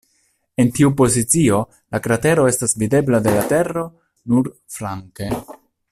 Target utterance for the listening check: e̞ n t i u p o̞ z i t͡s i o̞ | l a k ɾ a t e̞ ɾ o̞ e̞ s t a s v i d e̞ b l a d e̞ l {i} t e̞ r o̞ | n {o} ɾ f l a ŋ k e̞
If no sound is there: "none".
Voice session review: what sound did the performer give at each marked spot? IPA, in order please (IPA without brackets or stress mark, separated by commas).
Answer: a, u